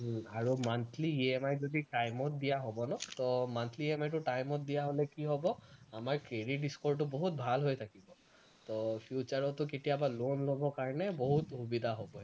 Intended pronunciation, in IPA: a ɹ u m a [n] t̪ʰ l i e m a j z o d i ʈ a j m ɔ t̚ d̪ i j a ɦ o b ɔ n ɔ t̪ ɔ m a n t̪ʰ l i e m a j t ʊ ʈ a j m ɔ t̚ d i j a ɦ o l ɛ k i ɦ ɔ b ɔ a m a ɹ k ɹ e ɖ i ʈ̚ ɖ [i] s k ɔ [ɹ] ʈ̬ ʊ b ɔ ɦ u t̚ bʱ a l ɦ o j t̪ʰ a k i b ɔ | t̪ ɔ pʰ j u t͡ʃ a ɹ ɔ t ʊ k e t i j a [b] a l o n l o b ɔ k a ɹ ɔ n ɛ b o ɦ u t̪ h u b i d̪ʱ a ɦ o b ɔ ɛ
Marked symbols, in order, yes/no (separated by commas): yes, yes, yes, yes